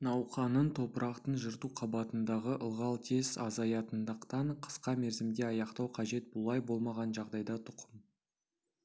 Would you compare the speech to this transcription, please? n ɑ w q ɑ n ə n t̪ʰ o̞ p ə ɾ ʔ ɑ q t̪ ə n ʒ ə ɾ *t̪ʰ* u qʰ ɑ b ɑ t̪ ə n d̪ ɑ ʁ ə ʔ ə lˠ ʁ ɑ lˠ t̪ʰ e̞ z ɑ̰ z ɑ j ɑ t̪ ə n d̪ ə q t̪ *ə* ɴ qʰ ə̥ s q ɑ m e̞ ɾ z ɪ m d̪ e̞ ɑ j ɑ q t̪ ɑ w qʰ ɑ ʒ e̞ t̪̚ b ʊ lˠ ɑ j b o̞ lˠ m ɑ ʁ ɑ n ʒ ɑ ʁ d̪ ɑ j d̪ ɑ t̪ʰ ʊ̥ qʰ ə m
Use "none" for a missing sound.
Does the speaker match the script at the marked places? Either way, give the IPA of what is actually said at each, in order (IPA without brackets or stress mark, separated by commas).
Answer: t̪, ɑ